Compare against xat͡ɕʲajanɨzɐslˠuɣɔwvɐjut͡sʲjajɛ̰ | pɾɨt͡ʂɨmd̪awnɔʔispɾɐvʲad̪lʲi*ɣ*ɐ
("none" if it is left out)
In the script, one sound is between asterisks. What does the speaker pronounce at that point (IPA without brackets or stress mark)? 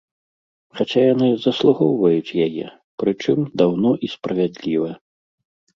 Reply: v